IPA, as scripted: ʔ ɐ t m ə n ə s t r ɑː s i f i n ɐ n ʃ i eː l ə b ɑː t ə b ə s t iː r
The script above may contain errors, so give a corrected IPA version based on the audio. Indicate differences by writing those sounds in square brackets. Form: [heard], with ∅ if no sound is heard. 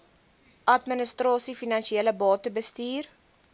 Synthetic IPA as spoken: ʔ ɐ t m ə n ə s t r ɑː s i f i n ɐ n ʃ i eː l ə b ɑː t ə b ə s t iː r